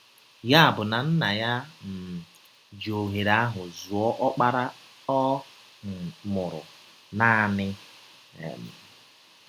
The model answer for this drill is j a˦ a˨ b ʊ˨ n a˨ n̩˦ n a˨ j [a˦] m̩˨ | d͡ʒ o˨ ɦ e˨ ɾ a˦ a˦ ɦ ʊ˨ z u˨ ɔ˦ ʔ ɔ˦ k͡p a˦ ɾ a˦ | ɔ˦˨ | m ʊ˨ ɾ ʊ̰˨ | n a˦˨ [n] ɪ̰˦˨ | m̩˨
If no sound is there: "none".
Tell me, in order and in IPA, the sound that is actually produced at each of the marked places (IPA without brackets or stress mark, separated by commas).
a˦, n